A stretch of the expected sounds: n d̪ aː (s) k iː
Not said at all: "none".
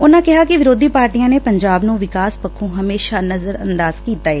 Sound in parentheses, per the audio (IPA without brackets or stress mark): z